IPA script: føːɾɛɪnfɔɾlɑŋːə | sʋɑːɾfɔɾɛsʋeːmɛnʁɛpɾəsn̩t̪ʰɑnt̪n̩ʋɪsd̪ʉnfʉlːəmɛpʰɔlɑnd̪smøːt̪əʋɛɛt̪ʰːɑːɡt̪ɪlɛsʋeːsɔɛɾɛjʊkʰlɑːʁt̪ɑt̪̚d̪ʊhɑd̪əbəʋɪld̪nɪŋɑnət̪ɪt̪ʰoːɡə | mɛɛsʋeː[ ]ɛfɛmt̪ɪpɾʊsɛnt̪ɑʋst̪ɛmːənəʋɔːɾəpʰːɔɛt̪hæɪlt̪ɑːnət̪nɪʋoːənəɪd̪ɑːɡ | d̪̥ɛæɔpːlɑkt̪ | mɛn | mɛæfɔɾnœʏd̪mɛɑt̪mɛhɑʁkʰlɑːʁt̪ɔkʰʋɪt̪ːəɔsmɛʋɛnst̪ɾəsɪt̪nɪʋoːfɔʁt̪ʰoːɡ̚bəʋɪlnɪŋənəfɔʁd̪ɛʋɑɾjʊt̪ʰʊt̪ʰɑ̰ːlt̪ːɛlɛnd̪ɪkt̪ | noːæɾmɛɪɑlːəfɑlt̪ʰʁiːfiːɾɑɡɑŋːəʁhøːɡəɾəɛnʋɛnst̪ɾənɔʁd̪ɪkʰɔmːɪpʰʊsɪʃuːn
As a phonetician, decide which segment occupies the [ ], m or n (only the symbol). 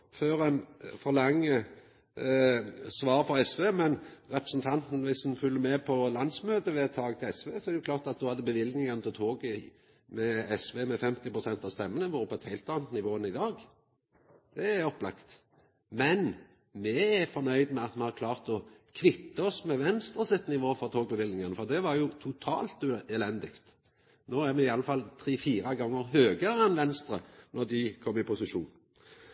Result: m